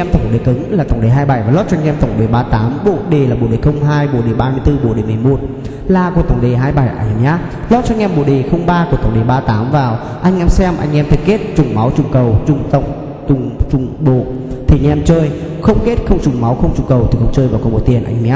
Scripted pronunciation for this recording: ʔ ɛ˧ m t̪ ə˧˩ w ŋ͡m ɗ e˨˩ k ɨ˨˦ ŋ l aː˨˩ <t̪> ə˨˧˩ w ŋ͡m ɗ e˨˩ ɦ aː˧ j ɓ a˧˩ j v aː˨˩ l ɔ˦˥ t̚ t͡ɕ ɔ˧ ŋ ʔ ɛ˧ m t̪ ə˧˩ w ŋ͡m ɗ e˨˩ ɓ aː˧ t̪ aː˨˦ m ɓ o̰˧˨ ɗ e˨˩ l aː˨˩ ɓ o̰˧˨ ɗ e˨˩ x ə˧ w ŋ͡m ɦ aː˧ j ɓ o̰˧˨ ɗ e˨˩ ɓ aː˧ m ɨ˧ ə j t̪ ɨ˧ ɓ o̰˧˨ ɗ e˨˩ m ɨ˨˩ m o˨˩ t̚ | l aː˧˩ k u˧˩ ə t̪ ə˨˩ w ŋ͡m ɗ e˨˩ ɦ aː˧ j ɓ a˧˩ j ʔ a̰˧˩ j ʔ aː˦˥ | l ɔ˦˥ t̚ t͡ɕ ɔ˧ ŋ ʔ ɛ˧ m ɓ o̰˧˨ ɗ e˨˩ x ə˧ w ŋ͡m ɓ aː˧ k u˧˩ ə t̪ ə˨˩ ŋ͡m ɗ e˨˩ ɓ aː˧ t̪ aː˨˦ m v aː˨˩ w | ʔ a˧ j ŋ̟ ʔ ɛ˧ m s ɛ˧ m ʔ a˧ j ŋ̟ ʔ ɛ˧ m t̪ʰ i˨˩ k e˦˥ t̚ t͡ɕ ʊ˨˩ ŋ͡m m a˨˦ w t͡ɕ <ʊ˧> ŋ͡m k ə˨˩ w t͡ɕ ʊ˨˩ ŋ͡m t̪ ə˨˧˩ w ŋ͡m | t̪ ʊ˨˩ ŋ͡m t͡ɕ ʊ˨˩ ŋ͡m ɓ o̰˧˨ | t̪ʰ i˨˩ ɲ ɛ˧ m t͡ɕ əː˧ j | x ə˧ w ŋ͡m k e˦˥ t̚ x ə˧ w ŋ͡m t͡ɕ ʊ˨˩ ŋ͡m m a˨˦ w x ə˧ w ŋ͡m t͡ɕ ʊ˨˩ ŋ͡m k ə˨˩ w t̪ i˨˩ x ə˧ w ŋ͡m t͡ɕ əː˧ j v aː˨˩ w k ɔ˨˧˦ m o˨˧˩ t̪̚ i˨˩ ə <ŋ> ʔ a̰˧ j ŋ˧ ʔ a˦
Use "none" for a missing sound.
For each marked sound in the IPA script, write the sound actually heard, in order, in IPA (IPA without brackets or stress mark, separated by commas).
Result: t̪, ʊ˨˩, n